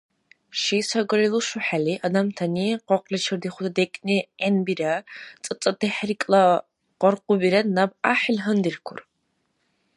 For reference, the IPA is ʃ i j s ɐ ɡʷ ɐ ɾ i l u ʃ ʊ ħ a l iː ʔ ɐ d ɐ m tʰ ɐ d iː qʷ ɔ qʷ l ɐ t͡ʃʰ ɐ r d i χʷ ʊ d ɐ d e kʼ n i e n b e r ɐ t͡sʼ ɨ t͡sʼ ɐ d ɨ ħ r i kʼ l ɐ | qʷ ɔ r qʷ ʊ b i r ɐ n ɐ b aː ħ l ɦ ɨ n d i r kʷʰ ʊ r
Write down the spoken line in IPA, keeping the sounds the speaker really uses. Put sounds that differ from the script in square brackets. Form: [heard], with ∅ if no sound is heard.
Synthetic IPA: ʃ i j s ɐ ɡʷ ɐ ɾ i l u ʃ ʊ ħ a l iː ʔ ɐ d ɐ m tʰ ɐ [n] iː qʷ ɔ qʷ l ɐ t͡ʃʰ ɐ r d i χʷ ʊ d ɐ d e kʼ n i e n b [i] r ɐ t͡sʼ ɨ t͡sʼ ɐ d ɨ ħ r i kʼ l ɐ | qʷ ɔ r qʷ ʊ b i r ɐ n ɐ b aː ħ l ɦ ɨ n d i r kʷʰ ʊ r